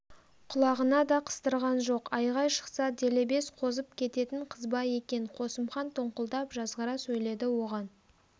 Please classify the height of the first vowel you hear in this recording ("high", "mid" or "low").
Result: high